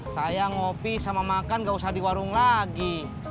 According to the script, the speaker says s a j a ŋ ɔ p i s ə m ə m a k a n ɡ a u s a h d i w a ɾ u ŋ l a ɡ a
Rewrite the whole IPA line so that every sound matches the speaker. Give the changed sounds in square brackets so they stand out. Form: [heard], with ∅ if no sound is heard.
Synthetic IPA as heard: s a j a ŋ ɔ p i s [a] m [a] m a k a n ɡ a u s a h d i w a ɾ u ŋ l a ɡ [i]